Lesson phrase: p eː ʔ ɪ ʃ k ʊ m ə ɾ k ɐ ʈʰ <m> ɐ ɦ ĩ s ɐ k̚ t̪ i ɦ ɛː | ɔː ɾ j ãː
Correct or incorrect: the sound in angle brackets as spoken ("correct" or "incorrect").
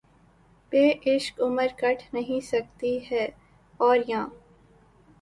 incorrect